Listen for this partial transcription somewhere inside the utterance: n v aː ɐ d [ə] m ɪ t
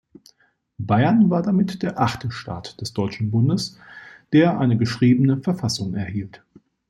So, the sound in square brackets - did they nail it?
no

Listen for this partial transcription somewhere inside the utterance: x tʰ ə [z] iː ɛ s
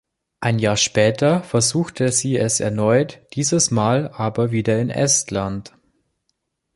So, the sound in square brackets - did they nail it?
yes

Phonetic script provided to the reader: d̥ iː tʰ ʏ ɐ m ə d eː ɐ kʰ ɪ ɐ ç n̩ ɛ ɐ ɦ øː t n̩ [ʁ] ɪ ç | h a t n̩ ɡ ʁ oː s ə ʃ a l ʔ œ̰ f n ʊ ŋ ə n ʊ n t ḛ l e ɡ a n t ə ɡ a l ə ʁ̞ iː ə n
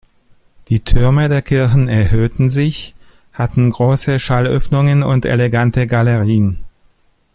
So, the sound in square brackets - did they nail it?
no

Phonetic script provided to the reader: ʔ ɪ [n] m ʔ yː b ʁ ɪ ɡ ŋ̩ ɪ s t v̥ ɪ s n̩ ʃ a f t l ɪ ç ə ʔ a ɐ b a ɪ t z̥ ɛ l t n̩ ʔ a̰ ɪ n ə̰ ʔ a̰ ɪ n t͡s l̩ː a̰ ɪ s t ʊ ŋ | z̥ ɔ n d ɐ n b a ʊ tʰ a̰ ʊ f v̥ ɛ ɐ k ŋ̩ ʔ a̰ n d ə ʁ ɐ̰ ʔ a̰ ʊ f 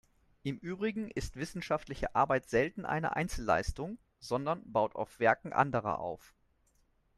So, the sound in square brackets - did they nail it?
no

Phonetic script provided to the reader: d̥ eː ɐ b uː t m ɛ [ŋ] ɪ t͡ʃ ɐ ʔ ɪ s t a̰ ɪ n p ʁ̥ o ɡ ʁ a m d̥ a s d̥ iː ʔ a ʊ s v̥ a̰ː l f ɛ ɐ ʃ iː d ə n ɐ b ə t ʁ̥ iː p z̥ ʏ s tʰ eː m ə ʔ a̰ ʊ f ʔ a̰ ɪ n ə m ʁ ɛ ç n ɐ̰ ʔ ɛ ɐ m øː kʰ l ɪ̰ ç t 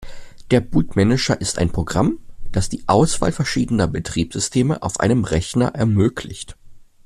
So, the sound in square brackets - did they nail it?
no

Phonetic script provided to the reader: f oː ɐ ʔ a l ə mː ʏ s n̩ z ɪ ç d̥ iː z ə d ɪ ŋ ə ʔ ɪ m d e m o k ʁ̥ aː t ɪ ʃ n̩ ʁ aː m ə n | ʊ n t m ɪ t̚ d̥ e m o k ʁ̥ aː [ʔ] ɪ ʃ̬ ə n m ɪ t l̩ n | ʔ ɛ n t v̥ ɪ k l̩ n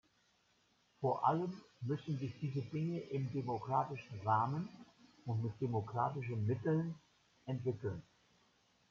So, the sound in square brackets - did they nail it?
no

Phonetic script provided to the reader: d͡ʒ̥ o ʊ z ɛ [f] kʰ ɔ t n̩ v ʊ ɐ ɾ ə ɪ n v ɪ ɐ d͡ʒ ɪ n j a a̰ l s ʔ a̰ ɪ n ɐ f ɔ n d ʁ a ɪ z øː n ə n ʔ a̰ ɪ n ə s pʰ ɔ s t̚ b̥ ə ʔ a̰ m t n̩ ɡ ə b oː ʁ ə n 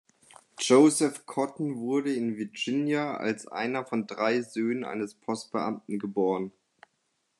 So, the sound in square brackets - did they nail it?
yes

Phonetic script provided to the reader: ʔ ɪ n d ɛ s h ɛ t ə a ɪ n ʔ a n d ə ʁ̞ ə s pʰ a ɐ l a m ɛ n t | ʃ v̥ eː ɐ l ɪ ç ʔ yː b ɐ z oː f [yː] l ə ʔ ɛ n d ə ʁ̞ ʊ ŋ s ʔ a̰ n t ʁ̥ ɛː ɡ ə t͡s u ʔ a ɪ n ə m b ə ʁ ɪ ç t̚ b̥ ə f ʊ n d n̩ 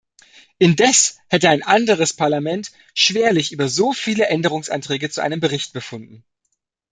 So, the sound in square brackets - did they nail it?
no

